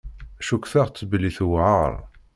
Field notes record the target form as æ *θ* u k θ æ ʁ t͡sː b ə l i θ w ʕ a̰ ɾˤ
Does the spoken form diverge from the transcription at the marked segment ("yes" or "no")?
yes